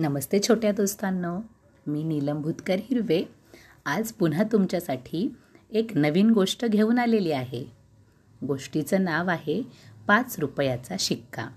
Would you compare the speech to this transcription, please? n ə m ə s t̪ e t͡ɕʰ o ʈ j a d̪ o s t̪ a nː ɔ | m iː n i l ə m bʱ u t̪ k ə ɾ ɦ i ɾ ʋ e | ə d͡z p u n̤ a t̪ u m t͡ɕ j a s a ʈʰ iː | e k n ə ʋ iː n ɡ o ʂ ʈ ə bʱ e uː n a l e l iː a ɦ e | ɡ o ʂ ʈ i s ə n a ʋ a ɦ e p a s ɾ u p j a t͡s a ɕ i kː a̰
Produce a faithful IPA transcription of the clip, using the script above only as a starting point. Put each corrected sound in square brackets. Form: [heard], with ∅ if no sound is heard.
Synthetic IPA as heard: n ə m ə s t̪ e t͡ɕʰ o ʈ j a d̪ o s t̪ a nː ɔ | m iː n i l ə m bʱ u t̪ k ə ɾ ɦ i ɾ ʋ e | [a] d͡z p u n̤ a t̪ u m t͡ɕ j a s a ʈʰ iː | e k n ə ʋ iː n ɡ o ʂ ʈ ə [ɡʱ] e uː n a l e l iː a ɦ e | ɡ o ʂ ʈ i [t͡s] ə n a ʋ a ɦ e p a [t͡s] ɾ u p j a t͡s a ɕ i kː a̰